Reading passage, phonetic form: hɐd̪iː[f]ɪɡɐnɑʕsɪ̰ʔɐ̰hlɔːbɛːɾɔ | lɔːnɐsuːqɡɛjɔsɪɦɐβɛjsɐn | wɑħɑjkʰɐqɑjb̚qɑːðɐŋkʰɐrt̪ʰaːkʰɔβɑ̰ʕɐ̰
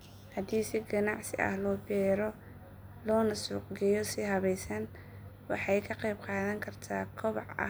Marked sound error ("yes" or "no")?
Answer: yes